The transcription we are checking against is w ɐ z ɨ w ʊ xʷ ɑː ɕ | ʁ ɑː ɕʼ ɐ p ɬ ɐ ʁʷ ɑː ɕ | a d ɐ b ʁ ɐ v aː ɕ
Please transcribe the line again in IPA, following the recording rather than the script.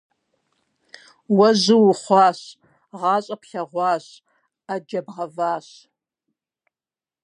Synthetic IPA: w ɐ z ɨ w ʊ χʷ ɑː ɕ | ʁ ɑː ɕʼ ɐ p ɬ ɐ ʁʷ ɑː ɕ | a d͡ʒ ɐ b ʁ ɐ v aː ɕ